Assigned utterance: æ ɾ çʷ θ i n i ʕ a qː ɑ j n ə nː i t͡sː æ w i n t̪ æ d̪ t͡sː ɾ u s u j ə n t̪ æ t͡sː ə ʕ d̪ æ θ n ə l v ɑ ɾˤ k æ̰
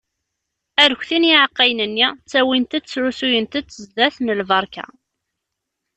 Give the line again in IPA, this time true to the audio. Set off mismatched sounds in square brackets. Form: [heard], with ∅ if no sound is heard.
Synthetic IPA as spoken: æ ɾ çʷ θ i n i ʕ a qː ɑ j n ə nː i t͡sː æ w i n t̪ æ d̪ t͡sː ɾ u s u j ə n t̪ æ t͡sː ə [z] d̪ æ θ n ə l v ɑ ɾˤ k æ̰

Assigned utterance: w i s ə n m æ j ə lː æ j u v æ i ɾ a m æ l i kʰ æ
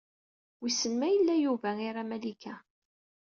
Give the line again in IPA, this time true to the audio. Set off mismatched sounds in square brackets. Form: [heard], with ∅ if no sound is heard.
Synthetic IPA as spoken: w i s ə n m æ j ə lː æ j u v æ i ɾ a m æ l i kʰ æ

